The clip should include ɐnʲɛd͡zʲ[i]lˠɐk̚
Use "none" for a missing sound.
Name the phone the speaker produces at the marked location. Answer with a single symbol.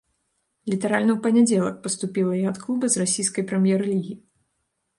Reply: ɛ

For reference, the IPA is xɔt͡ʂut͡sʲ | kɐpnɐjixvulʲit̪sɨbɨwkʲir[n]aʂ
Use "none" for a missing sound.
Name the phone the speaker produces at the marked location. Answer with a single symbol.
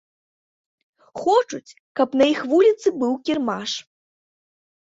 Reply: m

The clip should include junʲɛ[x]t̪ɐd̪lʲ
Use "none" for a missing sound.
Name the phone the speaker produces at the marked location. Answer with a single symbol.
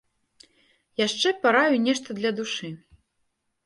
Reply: ʂ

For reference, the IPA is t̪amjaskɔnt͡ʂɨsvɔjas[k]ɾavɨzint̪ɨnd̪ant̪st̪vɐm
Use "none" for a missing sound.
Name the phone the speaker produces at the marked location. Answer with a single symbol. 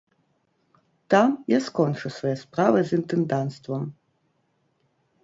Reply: p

